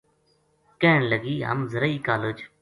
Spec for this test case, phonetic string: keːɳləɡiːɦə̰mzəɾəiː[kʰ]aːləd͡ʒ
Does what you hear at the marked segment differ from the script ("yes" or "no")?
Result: yes